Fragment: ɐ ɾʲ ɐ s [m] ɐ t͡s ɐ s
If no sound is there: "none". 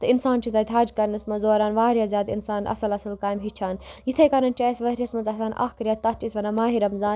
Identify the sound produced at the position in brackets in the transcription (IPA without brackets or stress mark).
m